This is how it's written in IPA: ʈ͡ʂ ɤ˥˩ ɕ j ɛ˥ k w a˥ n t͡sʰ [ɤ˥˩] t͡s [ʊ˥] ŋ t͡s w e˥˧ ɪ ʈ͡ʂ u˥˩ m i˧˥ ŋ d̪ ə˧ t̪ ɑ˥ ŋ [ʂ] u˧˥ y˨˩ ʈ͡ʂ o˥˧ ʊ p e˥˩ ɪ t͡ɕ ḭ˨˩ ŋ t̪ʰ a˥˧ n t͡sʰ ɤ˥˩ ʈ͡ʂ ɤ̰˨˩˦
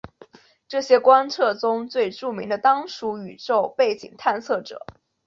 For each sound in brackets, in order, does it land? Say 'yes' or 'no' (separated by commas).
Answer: yes, yes, yes